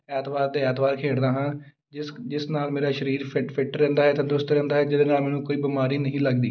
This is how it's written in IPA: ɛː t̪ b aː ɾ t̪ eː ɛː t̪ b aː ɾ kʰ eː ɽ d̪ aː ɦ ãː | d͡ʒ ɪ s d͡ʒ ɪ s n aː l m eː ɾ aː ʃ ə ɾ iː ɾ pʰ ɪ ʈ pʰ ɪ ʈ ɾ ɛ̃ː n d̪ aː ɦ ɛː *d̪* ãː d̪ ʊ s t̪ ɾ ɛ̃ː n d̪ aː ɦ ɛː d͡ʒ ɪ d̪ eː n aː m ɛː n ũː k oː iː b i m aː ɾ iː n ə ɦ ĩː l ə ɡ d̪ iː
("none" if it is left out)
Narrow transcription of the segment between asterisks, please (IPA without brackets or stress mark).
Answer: t̪